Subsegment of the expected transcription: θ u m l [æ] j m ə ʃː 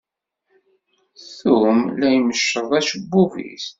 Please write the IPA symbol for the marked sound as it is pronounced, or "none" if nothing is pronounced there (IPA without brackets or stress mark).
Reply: æ